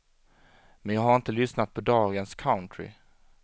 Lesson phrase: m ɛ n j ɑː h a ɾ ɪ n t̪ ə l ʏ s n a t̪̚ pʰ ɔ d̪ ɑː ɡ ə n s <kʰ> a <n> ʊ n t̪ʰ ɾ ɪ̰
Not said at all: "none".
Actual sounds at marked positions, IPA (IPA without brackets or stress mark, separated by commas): kʰ, none